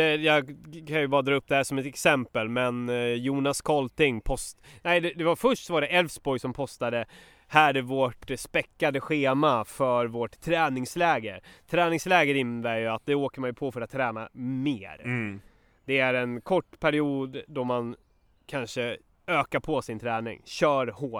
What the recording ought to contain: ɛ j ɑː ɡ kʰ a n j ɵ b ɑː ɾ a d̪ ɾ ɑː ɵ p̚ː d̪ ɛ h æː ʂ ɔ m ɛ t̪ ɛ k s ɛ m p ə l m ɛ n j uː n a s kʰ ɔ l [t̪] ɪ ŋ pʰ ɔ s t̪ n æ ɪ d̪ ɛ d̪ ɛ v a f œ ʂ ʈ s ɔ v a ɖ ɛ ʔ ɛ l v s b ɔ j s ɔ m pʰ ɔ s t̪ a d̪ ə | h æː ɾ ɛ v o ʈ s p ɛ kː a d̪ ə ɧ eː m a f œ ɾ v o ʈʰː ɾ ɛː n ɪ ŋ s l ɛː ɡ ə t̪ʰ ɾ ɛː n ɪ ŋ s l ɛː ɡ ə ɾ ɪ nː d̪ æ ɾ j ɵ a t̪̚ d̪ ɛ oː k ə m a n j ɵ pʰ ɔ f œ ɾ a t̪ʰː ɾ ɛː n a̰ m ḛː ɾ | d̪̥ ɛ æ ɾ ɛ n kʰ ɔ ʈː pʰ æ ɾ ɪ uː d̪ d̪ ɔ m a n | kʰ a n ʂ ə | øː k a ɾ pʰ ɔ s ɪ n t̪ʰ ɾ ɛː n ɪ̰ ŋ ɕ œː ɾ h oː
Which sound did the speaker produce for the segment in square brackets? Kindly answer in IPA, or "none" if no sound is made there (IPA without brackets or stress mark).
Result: t̪